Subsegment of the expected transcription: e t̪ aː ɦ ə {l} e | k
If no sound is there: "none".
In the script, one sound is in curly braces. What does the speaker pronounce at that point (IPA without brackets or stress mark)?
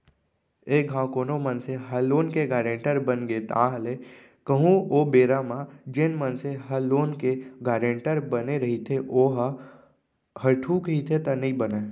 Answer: l